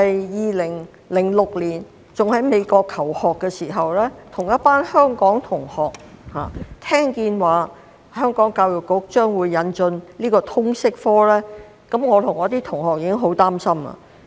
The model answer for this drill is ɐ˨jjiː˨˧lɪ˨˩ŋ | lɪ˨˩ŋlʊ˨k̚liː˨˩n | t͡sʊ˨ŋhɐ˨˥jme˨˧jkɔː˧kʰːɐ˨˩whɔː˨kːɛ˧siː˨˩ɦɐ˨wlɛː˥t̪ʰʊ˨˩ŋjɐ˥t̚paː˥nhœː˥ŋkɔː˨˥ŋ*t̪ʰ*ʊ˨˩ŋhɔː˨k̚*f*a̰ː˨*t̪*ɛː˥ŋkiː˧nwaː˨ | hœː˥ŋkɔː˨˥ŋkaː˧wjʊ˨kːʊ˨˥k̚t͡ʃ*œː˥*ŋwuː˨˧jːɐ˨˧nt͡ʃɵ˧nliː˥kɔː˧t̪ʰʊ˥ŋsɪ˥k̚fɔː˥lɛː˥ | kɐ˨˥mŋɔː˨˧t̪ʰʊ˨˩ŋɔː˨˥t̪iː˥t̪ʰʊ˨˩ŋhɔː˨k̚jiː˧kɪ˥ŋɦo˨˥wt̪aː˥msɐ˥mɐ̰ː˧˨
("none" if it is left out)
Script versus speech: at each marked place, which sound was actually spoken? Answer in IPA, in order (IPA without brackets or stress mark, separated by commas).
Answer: t̪ʰ, h, t̪ʰ, œː˥